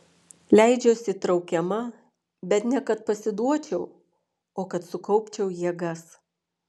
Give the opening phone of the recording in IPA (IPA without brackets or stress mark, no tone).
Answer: lʲ